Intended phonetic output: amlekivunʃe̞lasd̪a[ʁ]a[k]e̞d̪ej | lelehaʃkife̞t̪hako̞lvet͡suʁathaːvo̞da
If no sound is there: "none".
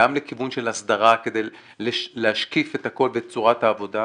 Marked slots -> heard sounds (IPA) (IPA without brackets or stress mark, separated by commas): ʁ, k